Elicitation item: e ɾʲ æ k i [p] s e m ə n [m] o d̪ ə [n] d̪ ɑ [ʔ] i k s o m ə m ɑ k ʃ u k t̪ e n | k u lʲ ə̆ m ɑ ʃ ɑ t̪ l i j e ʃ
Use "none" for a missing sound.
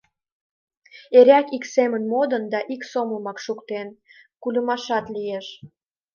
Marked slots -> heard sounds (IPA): k, m, n, ʔ

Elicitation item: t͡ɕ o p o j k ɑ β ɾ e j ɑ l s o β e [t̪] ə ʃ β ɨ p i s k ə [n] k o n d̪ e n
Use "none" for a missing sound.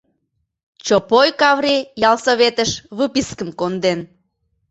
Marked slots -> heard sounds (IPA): t̪, m

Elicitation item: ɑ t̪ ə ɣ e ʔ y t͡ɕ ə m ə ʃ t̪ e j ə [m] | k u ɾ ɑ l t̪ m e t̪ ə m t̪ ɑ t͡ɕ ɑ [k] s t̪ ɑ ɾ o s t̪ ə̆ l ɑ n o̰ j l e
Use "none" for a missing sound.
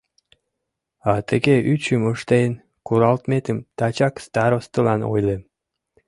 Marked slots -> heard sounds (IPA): n, k

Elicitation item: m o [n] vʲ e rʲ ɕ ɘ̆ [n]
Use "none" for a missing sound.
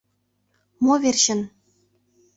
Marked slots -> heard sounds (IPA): none, n

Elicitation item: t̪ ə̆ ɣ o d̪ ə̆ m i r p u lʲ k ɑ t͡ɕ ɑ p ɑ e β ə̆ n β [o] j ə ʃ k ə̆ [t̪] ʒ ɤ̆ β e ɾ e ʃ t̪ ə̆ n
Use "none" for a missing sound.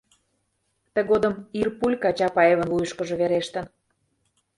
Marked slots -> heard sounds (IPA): u, none

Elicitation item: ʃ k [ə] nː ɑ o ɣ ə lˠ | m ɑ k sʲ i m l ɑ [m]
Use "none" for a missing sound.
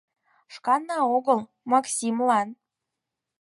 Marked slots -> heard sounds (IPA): ɑ, n

